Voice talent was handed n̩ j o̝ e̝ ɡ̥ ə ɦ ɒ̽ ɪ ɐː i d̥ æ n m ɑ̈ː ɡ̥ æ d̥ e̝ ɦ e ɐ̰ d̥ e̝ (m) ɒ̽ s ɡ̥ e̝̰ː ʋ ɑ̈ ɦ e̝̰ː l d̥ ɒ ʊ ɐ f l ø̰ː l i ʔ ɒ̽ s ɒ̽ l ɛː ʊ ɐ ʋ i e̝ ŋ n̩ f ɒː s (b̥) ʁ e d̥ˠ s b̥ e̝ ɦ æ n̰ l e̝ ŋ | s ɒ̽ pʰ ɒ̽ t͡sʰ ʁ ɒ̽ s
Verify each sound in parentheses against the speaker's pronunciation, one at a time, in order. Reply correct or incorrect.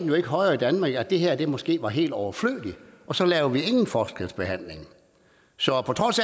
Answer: correct, incorrect

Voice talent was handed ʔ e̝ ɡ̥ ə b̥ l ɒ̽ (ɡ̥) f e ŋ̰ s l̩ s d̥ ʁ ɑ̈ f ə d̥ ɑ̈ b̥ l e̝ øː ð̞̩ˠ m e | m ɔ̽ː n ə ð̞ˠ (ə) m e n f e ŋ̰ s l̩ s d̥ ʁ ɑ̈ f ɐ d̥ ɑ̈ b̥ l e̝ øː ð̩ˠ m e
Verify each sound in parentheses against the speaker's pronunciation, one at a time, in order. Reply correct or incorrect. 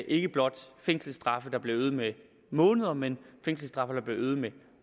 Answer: incorrect, incorrect

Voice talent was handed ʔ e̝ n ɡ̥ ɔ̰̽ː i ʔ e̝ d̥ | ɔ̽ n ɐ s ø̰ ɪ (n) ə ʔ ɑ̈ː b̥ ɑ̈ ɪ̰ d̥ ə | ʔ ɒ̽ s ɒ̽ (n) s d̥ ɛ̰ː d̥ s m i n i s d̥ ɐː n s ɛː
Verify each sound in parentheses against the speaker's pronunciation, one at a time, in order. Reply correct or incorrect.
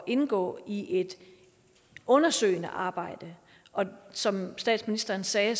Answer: correct, incorrect

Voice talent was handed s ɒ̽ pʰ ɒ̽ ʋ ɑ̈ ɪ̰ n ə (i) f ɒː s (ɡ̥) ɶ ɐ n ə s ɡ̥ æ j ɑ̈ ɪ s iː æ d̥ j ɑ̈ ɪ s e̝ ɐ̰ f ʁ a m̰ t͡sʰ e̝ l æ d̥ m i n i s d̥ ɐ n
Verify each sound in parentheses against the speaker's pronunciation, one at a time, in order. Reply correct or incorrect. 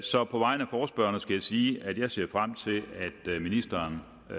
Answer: incorrect, incorrect

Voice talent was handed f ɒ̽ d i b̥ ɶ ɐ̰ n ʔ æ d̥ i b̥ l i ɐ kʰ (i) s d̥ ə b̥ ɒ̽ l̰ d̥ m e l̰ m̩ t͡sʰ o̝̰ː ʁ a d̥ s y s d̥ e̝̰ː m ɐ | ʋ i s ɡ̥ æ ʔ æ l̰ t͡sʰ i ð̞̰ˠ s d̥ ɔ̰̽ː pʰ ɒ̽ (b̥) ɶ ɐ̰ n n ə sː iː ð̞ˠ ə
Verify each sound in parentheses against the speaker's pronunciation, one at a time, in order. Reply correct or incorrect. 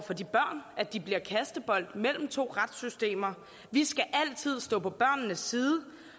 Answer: incorrect, correct

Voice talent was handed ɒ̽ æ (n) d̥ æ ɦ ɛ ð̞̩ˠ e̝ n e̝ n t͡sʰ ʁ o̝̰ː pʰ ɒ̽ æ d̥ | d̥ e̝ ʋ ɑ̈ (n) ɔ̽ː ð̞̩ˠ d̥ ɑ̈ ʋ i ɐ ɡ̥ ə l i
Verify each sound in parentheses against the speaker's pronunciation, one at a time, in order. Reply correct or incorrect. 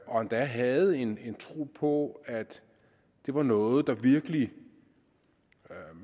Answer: correct, correct

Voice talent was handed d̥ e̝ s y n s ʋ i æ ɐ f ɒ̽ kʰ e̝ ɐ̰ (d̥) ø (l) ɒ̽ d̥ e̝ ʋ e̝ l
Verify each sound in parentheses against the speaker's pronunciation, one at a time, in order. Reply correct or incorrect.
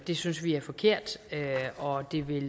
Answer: correct, incorrect

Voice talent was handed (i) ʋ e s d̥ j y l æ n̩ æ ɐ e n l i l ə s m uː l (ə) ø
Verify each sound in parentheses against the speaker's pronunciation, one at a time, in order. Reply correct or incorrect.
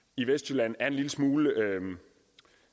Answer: correct, correct

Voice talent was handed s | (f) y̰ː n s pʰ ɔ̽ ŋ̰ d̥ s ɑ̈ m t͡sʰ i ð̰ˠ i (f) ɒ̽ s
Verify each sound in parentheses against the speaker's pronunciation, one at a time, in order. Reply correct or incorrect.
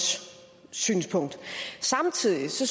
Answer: incorrect, incorrect

